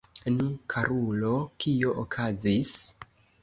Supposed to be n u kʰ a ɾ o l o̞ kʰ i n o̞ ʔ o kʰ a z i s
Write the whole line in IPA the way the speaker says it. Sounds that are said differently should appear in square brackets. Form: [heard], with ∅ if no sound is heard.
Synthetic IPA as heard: n u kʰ a ɾ [u] l o̞ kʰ i [∅] o̞ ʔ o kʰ a z i s